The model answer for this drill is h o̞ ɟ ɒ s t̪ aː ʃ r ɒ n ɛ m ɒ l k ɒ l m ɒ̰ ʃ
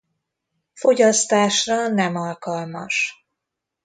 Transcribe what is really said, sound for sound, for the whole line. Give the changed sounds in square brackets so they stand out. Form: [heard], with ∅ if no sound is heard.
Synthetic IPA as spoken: [f] o̞ ɟ ɒ s t̪ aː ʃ r ɒ n ɛ m ɒ l k ɒ l m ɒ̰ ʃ